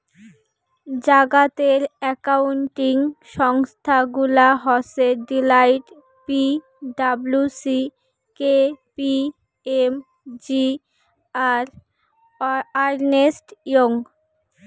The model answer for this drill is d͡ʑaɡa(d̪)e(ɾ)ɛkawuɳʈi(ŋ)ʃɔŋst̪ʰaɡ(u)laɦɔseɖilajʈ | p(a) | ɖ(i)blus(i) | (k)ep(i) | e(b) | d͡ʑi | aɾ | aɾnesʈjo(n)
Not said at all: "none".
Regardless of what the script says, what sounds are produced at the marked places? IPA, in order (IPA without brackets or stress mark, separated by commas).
t̪, ɾ, ŋ, u, i, a, i, k, i, m, ŋ